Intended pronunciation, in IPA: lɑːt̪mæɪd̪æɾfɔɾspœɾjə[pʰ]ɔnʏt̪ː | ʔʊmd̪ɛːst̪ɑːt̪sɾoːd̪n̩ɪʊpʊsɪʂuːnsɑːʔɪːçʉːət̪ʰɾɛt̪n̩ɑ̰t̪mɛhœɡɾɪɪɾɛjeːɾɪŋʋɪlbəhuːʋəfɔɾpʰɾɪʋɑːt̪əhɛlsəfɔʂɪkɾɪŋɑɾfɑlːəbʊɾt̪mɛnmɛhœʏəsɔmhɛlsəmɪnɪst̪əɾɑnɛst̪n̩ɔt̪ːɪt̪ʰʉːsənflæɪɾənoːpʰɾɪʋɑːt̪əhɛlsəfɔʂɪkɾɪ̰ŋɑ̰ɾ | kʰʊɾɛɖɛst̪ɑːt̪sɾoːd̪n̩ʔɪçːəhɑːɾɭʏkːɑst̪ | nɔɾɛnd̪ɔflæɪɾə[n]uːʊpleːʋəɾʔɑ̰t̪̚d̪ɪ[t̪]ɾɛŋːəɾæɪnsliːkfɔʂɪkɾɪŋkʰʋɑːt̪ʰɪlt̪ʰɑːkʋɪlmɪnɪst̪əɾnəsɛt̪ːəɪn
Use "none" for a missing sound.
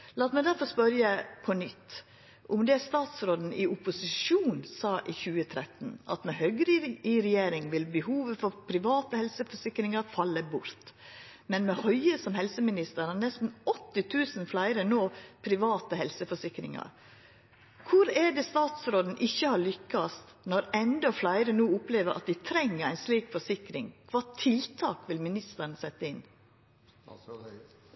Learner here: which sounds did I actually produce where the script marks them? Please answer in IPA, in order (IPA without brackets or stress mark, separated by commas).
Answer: pʰ, n, t̪ʰ